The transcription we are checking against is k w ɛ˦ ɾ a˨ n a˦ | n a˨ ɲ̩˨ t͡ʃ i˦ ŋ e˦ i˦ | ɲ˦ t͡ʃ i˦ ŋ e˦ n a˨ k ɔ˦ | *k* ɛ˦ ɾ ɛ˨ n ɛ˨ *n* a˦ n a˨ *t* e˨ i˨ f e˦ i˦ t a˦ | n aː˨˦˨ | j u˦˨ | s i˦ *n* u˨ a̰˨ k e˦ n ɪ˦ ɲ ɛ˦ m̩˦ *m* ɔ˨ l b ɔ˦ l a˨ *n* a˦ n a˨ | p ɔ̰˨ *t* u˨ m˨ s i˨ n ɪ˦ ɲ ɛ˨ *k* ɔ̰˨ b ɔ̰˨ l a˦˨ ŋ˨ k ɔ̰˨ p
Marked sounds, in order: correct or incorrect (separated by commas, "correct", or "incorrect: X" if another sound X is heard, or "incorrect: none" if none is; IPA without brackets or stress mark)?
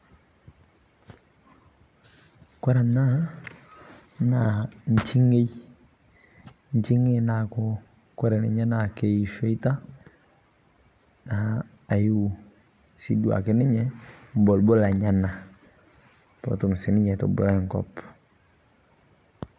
correct, incorrect: ɲ, incorrect: k, incorrect: d, incorrect: b, incorrect: ɲ, correct, incorrect: t